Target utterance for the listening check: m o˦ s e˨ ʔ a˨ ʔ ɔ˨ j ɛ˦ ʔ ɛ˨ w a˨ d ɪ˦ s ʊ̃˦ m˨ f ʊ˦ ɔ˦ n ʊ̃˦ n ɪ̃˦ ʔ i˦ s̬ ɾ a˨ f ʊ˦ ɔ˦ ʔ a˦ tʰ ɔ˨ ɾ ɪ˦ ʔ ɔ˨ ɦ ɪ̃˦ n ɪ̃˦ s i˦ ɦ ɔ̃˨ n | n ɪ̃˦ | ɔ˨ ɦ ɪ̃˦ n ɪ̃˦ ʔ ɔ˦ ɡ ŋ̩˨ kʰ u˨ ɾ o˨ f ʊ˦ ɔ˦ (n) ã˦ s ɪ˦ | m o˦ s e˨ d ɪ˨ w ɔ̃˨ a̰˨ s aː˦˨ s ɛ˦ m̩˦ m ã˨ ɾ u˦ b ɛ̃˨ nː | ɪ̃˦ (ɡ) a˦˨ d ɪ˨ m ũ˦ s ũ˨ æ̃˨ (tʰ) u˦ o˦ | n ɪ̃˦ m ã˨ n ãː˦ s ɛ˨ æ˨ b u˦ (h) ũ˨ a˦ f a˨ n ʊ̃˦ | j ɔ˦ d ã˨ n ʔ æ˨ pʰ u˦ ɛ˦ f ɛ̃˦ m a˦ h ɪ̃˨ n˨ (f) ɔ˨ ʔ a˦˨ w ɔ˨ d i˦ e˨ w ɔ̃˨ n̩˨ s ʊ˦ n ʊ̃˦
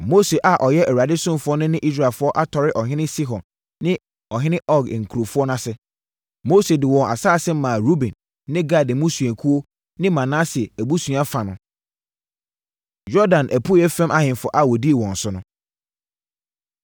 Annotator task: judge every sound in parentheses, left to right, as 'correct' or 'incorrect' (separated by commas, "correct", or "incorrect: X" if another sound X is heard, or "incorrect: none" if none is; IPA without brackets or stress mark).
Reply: correct, correct, incorrect: kʰ, incorrect: s, correct